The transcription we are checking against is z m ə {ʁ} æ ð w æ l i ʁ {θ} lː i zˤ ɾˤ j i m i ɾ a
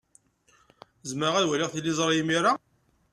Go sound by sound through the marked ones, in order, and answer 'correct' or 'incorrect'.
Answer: correct, correct

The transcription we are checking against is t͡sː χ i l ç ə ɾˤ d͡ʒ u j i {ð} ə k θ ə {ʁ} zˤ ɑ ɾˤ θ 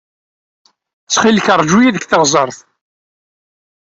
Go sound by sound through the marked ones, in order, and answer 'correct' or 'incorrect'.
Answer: correct, correct

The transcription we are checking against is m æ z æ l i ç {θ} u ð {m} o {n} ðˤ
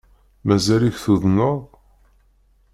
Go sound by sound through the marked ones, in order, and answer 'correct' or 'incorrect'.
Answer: correct, incorrect, incorrect

